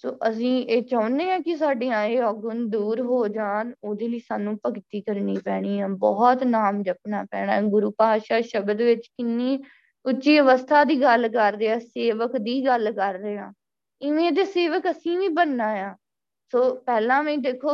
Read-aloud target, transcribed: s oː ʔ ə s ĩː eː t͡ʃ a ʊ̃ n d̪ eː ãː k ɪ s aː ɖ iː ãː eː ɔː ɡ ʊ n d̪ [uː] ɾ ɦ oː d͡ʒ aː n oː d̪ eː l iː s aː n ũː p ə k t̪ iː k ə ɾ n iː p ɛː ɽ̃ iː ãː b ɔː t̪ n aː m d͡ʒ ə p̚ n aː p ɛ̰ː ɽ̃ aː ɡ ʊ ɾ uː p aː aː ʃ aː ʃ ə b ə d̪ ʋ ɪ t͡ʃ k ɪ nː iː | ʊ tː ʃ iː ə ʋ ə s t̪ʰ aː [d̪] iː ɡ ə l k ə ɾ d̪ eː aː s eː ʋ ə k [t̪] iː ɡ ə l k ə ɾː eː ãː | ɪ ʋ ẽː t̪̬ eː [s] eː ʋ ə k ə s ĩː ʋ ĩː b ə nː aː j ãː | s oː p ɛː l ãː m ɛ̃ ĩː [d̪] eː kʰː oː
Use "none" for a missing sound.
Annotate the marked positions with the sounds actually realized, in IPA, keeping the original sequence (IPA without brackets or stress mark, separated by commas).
uː, d̪, d̪, s, d̪